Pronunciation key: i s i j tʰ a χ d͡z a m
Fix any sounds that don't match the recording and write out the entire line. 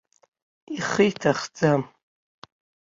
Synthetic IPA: i χ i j tʰ a χ d͡z a m

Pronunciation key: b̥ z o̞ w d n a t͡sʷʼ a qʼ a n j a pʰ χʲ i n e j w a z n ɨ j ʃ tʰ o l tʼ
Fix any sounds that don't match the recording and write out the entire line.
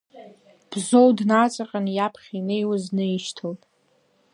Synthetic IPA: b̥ z o̞ w d n a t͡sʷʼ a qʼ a n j a pʰ χʲ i n e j w a z n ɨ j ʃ tʰ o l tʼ

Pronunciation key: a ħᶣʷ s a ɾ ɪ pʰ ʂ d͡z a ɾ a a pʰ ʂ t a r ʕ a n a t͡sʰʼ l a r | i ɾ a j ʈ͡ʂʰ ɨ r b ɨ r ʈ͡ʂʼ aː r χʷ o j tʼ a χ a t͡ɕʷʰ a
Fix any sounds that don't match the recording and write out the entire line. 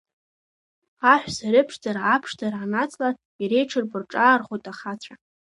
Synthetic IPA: a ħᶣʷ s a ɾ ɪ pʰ ʂ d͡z a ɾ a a pʰ ʂ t a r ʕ a n a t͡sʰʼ l a r | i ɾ e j ʈ͡ʂʰ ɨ r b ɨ r ʈ͡ʂʼ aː r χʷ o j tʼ a χ a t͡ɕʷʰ a

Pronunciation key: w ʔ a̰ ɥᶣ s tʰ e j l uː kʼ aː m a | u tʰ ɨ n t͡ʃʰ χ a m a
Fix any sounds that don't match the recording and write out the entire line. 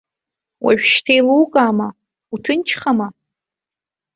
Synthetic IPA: w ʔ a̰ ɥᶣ ʃ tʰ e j l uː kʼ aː m a | u tʰ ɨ n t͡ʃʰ χ a m a

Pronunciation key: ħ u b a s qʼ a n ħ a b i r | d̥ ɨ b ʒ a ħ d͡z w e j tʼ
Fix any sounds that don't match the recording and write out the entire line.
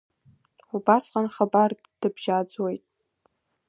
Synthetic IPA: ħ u b a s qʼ a n χ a b a r | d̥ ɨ b ʒ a d͡z w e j tʼ

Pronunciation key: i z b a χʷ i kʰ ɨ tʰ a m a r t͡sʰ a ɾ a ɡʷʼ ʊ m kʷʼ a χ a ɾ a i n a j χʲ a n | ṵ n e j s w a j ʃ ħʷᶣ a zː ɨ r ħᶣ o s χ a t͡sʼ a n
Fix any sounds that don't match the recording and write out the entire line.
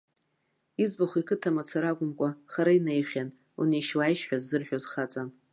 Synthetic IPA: i z b a χʷ i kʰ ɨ tʰ a m a t͡sʰ a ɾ a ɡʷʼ ʊ m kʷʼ a χ a ɾ a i n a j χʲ a n | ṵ n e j ʃ w a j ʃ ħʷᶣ a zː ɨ r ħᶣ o z χ a t͡sʼ a n

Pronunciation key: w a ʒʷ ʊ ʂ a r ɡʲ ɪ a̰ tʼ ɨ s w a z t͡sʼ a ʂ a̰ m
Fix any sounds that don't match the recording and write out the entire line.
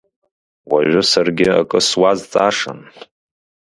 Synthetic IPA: w a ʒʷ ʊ s a r ɡʲ ɪ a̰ kʼ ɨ s w a z t͡sʼ a ʂ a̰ n

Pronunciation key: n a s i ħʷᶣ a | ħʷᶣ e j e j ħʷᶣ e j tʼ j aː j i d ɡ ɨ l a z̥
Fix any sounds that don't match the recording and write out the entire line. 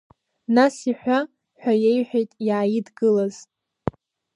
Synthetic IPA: n a s i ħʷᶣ a | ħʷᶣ a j e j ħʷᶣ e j tʼ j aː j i d ɡ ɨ l a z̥

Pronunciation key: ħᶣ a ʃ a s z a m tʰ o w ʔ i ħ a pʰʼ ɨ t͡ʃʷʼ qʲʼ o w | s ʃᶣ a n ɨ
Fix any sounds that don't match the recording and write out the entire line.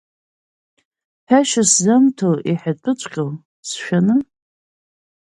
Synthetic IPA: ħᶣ a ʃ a s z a m tʰ o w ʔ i ħ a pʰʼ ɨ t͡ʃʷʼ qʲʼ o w | s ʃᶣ a n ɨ

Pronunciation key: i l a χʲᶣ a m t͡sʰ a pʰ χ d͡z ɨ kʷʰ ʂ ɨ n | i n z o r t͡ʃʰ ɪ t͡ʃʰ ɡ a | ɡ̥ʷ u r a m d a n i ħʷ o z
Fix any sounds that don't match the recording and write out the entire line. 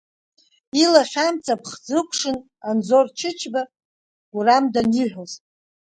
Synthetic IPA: i l a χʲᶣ a m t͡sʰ a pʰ χ d͡z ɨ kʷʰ ʂ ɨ n | a n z o r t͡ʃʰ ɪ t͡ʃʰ b a | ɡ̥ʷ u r a m d a n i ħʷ o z

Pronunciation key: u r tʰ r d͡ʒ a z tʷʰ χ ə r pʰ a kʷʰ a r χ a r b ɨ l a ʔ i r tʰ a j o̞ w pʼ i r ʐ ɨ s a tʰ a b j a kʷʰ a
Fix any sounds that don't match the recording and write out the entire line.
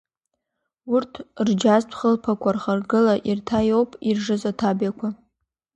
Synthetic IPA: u r tʰ r d͡ʒ a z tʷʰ χ ə l pʰ a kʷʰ a r χ a r ɡ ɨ l a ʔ i r tʰ a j o̞ w pʼ i r ʐ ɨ z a tʰ a b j a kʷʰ a

